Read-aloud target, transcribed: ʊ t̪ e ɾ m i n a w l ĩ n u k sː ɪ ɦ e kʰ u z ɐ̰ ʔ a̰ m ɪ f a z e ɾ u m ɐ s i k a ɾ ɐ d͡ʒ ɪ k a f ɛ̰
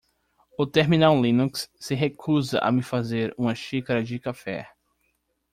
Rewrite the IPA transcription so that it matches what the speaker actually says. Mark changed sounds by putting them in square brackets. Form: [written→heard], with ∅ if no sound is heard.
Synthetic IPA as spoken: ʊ t̪ e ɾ m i n a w l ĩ n u k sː ɪ ɦ e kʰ u z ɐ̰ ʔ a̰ m ɪ f a z e ɾ [u→ũ] m ɐ [s→ʃ] i k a ɾ ɐ d͡ʒ ɪ k a f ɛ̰